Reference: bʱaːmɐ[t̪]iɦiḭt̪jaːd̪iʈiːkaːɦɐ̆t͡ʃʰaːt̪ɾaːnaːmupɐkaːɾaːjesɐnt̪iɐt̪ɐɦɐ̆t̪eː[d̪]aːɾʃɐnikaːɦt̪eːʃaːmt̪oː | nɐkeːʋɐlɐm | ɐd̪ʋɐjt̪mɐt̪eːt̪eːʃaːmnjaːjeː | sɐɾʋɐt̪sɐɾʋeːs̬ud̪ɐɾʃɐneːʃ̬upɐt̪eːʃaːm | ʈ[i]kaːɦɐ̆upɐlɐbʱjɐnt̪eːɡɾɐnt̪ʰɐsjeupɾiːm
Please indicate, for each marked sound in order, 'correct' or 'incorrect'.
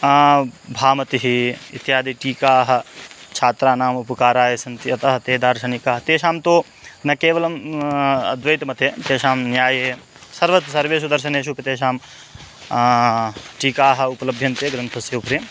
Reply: correct, correct, incorrect

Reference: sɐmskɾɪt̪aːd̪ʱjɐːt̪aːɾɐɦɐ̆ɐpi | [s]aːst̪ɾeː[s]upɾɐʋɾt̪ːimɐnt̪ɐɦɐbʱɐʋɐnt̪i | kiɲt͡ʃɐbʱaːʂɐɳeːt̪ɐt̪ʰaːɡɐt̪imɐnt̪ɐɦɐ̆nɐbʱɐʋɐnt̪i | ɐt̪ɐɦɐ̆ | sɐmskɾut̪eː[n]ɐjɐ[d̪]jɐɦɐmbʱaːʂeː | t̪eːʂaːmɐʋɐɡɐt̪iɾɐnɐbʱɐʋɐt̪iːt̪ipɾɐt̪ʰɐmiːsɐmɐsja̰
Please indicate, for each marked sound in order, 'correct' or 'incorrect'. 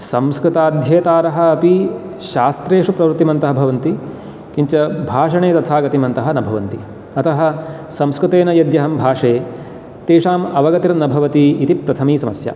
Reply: incorrect, incorrect, correct, correct

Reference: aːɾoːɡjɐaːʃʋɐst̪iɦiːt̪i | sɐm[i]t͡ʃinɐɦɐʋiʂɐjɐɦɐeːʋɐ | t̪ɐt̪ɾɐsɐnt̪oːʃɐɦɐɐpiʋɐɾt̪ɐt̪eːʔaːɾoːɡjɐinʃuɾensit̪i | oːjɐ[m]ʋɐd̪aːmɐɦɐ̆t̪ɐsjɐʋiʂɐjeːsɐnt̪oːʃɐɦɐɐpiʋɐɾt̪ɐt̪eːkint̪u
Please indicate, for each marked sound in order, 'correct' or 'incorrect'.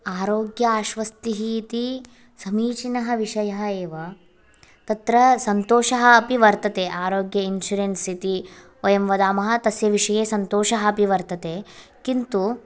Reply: incorrect, correct

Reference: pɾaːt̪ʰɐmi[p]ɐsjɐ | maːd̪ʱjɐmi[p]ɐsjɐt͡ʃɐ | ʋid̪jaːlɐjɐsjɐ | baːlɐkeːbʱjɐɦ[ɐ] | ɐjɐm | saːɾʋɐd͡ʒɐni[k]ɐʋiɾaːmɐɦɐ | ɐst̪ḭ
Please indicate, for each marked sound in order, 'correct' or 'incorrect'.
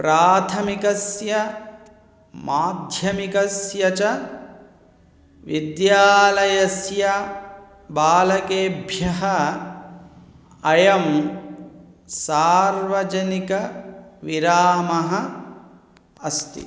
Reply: incorrect, incorrect, correct, correct

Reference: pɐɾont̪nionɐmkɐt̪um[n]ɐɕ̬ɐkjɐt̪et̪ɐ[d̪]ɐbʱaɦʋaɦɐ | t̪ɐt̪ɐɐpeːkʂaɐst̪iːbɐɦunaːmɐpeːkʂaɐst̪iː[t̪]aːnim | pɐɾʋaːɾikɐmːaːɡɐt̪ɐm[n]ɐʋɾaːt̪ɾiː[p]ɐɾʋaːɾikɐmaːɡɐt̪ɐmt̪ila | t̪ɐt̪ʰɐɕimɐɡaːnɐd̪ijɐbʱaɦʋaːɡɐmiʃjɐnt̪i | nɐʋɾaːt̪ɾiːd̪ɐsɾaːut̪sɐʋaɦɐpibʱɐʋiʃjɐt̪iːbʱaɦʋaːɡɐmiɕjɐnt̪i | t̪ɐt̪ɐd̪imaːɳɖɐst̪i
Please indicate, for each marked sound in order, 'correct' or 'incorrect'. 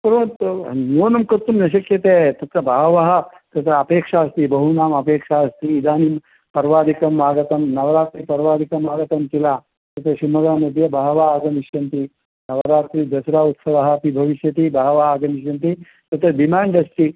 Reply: correct, incorrect, incorrect, correct, correct

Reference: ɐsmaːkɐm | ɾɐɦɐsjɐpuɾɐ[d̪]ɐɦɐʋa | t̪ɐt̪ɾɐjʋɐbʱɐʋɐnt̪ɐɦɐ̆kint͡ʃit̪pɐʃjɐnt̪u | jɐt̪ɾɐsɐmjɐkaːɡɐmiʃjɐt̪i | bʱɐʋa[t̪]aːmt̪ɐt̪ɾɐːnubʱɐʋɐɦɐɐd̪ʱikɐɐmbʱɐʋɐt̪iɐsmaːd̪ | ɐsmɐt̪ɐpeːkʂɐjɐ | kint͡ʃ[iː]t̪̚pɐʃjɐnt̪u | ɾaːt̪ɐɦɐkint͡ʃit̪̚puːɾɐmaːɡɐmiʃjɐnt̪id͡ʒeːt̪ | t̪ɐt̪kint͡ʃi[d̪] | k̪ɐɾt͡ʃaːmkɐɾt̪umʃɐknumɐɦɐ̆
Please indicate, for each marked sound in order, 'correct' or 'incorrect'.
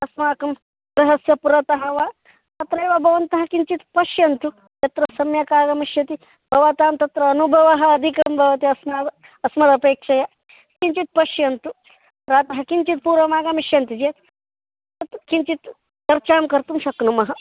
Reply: incorrect, correct, incorrect, incorrect

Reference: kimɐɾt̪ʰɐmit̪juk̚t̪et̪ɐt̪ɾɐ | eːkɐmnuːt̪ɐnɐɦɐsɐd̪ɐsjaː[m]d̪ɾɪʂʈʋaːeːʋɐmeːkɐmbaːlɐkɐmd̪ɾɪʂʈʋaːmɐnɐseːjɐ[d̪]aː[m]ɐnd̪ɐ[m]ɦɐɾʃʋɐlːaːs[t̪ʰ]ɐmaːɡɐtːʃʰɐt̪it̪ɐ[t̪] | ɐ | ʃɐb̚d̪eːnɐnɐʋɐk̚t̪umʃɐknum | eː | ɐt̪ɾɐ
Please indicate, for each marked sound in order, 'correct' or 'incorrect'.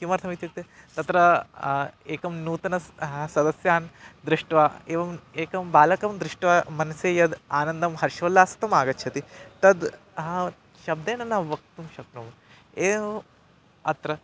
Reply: incorrect, correct, incorrect, correct, incorrect, incorrect

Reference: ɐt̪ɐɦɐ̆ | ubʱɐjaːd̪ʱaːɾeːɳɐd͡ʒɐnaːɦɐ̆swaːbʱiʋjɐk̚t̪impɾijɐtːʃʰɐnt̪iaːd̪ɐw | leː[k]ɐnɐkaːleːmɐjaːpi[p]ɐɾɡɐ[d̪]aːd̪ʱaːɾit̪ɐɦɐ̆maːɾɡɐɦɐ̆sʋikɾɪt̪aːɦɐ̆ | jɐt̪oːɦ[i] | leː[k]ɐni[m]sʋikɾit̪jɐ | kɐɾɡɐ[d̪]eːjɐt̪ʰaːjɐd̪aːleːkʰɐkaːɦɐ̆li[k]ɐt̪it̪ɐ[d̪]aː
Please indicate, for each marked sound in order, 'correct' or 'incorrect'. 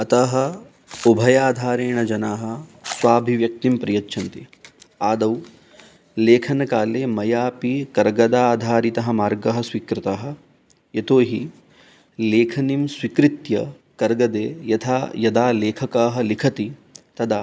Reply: incorrect, incorrect, correct, correct, incorrect, correct, correct, incorrect, correct

